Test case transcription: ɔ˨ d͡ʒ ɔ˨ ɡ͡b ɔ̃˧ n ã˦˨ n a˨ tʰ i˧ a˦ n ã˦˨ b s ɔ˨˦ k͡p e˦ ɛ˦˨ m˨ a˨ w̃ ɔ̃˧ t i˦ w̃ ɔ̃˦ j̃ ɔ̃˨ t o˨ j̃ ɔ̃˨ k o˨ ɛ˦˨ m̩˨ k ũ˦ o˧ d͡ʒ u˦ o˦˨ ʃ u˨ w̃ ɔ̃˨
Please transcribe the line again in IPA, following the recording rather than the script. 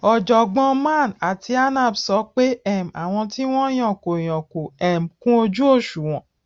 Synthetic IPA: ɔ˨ d͡ʒ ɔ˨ ɡ͡b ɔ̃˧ m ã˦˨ n a˨ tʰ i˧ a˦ n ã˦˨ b s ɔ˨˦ k͡p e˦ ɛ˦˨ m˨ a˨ w̃ ɔ̃˧ t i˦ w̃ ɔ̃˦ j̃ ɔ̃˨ k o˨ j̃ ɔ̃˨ k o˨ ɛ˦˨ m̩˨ k ũ˦ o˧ d͡ʒ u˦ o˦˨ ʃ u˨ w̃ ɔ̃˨